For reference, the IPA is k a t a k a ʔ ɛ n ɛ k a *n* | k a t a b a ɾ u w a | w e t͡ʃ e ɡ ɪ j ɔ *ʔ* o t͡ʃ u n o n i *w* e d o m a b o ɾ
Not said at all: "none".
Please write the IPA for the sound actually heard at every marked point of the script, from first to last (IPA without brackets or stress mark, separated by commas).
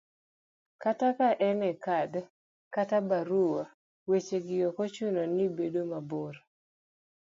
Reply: d, k, b